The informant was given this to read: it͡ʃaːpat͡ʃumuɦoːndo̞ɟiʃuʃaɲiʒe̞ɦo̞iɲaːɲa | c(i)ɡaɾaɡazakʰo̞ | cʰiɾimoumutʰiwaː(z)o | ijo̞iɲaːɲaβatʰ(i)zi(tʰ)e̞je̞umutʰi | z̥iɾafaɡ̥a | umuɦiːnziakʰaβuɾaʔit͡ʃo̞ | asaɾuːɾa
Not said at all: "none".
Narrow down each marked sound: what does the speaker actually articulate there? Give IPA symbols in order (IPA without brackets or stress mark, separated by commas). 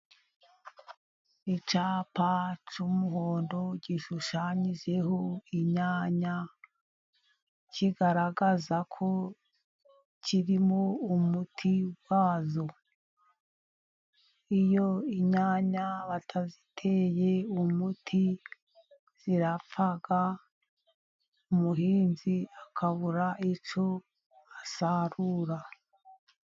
i, z, a, tʰ